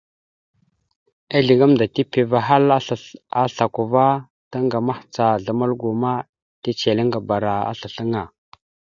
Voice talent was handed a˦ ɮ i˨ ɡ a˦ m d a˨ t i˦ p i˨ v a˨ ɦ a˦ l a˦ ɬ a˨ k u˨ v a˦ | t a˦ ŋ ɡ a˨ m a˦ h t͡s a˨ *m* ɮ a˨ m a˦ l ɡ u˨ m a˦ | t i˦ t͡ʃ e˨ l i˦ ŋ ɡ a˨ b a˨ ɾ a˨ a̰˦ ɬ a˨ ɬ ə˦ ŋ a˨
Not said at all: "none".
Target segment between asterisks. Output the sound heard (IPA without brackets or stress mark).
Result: none